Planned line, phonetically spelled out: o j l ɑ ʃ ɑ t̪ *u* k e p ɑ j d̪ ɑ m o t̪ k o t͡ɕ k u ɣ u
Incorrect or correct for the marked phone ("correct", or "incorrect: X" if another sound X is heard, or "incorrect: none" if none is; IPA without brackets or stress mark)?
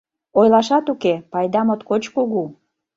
correct